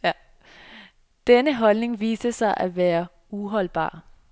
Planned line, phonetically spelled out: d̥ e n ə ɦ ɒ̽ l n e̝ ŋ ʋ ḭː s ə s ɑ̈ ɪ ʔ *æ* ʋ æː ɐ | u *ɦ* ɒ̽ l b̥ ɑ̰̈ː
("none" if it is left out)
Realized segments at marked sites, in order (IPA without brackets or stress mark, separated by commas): æ, ɦ